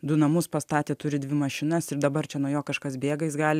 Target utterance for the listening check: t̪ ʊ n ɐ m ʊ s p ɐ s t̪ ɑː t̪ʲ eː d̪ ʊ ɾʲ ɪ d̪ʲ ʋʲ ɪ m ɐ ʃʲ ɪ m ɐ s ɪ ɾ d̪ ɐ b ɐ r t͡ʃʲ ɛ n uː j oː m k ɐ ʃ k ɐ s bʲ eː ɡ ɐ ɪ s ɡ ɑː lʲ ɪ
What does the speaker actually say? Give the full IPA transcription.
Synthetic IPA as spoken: d̪ ʊ n ɐ m ʊ s p ɐ s t̪ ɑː t̪ʲ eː t̪ ʊ ɾʲ ɪ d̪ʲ ʋʲ ɪ m ɐ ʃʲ ɪ n ɐ s ɪ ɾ d̪ ɐ b ɐ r t͡ʃʲ ɛ n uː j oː k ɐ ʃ k ɐ s bʲ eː ɡ ɐ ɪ s ɡ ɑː lʲ ɪ